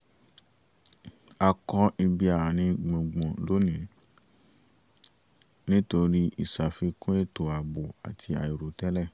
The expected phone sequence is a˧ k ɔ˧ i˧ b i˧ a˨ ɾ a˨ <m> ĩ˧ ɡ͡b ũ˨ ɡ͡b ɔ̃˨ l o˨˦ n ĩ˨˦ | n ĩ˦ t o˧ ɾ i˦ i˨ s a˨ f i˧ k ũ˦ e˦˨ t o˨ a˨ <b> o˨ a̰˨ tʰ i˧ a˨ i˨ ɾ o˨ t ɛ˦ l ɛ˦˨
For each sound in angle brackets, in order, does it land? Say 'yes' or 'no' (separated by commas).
no, yes